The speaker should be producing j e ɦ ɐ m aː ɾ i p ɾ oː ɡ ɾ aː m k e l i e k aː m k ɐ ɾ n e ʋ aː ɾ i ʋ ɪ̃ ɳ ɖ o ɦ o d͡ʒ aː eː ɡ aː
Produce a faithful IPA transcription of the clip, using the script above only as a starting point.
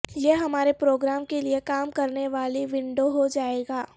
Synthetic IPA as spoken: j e ɦ ɐ m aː ɾ e p ɾ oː ɡ ɾ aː m k e l i e k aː m k ɐ ɾ n e ʋ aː l i ʋ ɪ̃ ɳ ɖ o ɦ o d͡ʒ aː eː ɡ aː